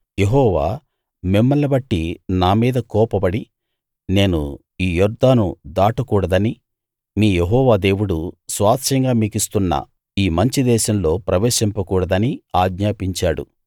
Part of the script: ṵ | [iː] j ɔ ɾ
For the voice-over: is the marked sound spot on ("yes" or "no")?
yes